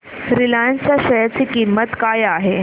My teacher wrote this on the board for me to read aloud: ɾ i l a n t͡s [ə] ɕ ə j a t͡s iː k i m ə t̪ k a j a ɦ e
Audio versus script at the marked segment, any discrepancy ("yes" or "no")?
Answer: yes